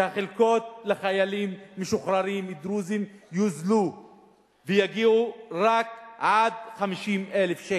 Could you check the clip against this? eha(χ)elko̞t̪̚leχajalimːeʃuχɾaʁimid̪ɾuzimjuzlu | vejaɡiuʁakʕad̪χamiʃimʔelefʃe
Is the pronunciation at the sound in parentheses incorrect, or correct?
correct